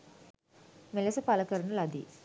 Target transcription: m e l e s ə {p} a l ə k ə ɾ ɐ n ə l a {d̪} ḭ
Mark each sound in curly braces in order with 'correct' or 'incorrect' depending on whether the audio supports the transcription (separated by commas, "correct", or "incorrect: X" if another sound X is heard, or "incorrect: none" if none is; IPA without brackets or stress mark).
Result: correct, correct